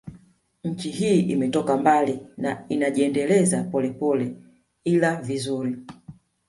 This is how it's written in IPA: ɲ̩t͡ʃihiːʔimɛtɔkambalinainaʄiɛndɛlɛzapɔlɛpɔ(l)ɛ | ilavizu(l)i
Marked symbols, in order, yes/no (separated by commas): yes, no